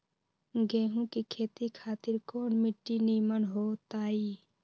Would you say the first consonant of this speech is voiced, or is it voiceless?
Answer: voiced